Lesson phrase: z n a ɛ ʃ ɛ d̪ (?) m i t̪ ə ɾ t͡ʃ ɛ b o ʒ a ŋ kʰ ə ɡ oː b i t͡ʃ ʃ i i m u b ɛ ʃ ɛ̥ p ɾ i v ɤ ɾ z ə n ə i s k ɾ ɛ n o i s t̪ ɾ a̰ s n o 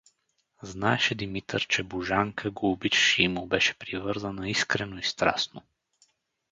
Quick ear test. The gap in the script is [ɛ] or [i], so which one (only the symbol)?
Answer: i